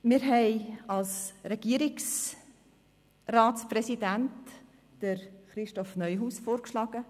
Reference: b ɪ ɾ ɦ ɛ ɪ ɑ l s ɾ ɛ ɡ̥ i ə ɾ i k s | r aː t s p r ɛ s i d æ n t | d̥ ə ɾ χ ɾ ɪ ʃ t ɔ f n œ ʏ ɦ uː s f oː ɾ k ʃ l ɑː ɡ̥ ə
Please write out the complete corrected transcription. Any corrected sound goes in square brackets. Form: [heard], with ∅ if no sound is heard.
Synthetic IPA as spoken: [m] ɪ ɾ ɦ ɛ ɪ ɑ l s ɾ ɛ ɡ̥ i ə ɾ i k s | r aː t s p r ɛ s i d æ n t | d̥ ə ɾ χ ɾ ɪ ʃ t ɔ f n œ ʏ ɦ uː s f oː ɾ k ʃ l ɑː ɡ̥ ə